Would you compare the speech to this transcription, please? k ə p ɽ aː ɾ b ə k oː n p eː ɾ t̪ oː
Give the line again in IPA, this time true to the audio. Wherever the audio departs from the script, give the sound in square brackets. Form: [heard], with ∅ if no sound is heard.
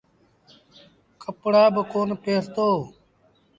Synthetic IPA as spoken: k ə p ɽ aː [∅] b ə k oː n p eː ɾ t̪ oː